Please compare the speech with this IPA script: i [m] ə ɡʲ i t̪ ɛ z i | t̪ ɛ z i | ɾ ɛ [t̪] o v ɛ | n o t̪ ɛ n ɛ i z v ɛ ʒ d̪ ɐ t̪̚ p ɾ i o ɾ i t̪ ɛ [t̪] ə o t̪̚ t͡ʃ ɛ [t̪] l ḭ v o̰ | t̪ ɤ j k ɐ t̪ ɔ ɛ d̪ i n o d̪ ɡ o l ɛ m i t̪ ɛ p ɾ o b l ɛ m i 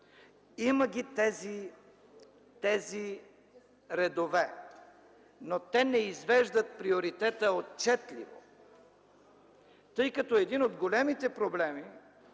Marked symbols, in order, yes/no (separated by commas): yes, no, yes, yes